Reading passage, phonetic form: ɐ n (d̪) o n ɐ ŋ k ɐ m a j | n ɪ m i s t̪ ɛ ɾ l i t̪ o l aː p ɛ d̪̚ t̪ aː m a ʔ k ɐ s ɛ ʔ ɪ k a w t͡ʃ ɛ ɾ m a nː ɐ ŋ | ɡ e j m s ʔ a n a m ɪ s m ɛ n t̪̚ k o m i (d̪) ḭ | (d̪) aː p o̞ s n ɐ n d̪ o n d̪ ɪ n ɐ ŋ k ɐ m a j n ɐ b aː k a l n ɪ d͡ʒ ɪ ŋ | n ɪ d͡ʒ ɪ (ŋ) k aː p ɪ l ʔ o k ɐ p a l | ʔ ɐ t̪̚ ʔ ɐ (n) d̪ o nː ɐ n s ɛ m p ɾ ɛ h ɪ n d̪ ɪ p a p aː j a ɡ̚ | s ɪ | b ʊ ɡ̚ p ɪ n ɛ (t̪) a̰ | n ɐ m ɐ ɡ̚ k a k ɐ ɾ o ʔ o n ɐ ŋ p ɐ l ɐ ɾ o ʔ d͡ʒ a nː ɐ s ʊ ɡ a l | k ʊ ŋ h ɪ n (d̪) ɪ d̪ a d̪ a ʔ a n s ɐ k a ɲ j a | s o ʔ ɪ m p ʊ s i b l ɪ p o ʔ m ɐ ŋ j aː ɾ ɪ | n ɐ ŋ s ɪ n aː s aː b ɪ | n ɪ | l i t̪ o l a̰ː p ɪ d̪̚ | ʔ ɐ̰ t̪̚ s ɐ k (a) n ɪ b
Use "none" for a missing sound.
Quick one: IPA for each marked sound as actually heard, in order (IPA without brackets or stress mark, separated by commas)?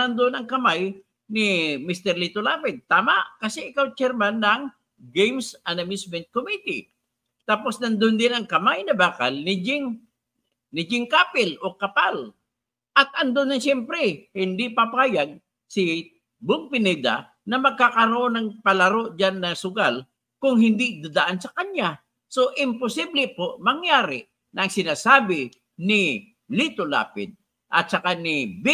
d̪, t̪, t̪, ŋ, n, d̪, d̪, a